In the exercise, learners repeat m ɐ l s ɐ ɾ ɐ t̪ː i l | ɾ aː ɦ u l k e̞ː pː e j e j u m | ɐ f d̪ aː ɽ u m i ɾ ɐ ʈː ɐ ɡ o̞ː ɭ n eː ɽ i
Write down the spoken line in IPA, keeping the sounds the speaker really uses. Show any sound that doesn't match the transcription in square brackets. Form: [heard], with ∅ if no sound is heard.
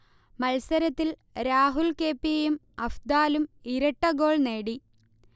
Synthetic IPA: m ɐ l s ɐ ɾ ɐ t̪ː i l | ɾ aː ɦ u l k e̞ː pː [i] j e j u m | ɐ f d̪ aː [l] u m i ɾ ɐ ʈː ɐ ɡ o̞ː ɭ n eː ɽ i